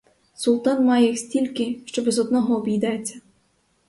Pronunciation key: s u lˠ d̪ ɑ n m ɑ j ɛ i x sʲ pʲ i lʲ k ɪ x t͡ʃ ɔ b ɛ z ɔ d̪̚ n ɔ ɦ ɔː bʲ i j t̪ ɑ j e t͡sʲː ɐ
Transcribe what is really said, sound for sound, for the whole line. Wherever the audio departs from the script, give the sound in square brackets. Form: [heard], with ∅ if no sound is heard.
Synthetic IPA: s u lˠ [t̪] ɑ n m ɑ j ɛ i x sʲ [tʲ] i lʲ k ɪ [ʃ] t͡ʃ ɔ b ɛ z ɔ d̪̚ n ɔ ɦ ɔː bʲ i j [d̪] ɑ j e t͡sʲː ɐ